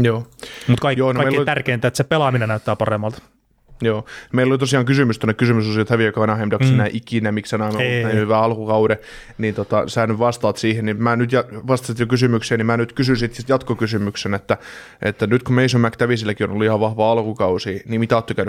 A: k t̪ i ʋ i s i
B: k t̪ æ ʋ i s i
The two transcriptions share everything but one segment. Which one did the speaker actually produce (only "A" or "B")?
B